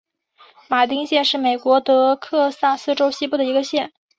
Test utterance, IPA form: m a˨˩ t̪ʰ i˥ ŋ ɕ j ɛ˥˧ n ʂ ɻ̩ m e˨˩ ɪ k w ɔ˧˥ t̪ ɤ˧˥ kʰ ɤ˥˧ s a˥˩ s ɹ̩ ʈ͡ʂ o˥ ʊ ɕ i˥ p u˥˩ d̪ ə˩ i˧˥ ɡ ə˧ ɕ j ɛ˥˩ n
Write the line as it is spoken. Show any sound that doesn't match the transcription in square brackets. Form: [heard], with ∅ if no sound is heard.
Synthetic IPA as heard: m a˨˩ [t̪] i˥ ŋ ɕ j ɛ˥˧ n ʂ ɻ̩ m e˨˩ ɪ k w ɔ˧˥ t̪ ɤ˧˥ kʰ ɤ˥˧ s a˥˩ s ɹ̩ ʈ͡ʂ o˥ ʊ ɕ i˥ p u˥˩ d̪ ə˩ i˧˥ ɡ ə˧ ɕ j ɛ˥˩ n